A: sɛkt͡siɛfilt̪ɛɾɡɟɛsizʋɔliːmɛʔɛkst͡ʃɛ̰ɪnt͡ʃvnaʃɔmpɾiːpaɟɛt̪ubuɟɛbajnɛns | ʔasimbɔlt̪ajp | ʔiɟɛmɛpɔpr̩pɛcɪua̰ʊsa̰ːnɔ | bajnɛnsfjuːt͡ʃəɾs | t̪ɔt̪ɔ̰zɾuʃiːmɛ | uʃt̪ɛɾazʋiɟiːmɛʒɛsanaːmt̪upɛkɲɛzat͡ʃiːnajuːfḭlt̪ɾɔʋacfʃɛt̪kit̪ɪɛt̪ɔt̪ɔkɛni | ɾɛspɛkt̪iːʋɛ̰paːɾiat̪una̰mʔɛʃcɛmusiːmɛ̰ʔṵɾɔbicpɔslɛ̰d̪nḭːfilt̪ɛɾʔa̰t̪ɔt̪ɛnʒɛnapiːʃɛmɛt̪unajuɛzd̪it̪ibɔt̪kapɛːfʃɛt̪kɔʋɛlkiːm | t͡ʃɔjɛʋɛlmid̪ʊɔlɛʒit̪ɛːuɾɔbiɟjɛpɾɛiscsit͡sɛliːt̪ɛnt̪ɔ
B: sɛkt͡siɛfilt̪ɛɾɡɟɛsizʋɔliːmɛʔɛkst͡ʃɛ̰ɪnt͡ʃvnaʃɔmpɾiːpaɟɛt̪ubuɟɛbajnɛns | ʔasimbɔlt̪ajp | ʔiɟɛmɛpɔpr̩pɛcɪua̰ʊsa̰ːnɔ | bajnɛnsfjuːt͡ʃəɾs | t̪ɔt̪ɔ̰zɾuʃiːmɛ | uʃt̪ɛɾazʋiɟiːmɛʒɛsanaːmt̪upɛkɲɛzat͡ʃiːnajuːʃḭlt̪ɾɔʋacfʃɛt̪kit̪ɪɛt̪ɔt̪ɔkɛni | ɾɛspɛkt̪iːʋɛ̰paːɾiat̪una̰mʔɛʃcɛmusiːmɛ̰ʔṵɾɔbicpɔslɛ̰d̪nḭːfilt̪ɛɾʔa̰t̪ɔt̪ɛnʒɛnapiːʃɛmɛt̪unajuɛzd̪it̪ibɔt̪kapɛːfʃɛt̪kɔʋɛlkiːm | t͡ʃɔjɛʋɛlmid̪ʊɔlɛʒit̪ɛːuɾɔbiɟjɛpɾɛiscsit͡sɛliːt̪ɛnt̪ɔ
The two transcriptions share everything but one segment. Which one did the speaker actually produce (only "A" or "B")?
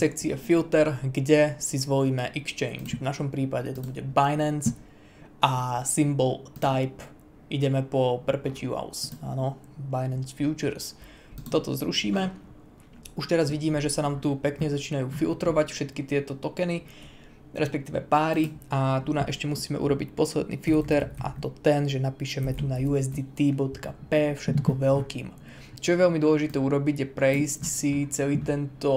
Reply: A